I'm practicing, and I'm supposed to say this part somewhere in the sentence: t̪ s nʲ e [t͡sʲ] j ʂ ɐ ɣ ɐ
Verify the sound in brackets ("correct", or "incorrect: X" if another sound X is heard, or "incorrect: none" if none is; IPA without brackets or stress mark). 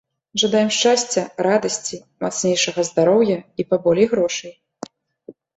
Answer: incorrect: none